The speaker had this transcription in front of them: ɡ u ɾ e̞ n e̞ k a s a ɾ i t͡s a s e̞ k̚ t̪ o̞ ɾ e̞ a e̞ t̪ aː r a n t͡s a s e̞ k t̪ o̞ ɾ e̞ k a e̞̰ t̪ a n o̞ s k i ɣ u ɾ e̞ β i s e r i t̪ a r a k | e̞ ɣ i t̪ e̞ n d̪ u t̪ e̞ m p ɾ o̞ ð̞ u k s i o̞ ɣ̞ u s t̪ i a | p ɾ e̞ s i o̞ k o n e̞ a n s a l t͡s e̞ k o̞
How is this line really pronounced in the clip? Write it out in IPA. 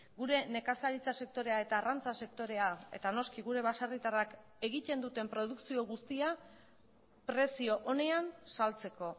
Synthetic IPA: ɡ u ɾ e̞ n e̞ k a s a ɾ i t͡s a s e̞ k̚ t̪ o̞ ɾ e̞ a e̞ t̪ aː r a n t͡s a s e̞ k t̪ o̞ ɾ e̞ a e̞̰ t̪ a n o̞ s k i ɣ u ɾ e̞ β a s a r i t̪ a r a k | e̞ ɣ i t̪ e̞ n d̪ u t̪ e̞ m p ɾ o̞ ð̞ u k s i o̞ ɣ̞ u s t̪ i a | p ɾ e̞ s i o̞ ʔ o n e̞ a n s a l t͡s e̞ k o̞